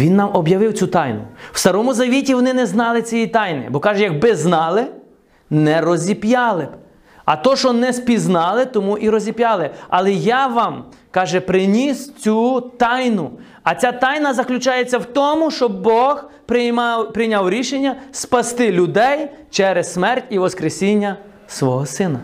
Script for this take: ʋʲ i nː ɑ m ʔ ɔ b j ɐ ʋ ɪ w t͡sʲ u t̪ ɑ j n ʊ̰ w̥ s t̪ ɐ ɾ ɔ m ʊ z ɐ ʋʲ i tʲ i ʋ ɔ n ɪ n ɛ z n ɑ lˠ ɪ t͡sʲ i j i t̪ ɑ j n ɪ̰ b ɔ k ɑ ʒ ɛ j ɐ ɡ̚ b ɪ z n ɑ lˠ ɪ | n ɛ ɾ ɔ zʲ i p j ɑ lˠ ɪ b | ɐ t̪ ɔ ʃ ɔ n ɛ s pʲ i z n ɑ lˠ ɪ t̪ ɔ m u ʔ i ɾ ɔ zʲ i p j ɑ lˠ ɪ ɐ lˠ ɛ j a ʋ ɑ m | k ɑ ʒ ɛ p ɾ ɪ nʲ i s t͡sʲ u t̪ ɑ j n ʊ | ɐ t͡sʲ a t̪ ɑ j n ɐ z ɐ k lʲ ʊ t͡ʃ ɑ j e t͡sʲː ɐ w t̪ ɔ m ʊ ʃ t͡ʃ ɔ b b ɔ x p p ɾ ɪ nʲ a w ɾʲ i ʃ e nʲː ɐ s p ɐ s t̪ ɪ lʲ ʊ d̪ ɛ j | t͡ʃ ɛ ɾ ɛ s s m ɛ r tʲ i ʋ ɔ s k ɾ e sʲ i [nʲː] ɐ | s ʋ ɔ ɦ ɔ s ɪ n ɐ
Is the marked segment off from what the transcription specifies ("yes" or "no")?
no